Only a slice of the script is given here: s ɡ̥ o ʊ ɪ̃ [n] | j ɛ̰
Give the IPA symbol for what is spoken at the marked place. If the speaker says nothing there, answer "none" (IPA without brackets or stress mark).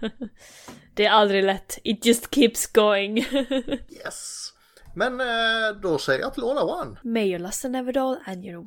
ŋ